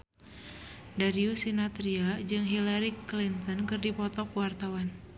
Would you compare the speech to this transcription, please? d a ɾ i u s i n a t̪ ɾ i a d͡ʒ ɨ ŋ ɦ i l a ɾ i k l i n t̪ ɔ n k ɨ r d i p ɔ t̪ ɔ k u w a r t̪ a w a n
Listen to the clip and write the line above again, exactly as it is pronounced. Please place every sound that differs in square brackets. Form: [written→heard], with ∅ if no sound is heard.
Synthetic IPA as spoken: d a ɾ i u s i n a t̪ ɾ i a d͡ʒ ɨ ŋ ɦ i l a ɾ i k l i n t̪ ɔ n k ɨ r d i p ɔ t̪ ɔ k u w a r t̪ a w a n